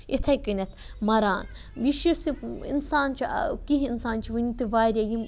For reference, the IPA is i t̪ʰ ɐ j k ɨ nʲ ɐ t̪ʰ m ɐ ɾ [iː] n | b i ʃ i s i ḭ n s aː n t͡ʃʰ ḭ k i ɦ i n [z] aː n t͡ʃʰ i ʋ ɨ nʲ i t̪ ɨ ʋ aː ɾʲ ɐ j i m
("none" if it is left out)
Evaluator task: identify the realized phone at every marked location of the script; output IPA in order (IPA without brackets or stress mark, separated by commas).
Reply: aː, s